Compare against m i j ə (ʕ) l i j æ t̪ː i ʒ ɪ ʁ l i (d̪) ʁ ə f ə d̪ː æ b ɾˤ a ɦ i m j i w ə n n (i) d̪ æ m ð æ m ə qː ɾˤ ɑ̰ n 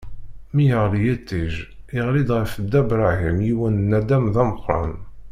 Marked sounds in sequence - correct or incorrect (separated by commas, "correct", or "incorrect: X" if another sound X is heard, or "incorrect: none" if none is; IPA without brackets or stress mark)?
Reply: incorrect: ʁ, correct, incorrect: æ